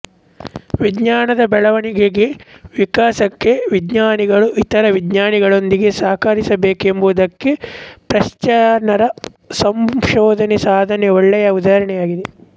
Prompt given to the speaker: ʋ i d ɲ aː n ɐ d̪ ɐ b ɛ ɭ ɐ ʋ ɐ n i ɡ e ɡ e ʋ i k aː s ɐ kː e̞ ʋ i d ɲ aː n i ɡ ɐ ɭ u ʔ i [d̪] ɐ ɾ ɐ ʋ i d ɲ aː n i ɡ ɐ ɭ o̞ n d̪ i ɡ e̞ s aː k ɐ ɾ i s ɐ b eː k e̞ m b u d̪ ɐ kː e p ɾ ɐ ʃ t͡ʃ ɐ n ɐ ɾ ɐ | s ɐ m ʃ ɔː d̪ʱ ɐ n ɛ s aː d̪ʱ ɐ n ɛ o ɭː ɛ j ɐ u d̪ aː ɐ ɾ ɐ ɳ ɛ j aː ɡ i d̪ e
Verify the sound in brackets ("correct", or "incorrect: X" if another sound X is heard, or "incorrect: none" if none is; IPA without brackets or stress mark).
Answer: incorrect: t̪